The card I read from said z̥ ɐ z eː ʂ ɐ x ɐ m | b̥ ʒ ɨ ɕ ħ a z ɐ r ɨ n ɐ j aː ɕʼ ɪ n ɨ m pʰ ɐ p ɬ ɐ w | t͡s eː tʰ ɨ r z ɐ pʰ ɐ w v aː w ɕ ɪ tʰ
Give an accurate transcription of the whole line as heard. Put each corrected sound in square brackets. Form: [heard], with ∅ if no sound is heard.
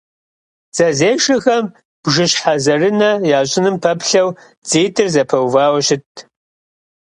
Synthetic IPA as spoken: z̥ ɐ z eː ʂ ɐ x ɐ m | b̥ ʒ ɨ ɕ ħ a z ɐ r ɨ n ɐ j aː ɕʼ ɪ n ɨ m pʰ ɐ p ɬ ɐ w | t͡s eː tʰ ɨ r z ɐ pʰ ɐ w v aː w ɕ ɪ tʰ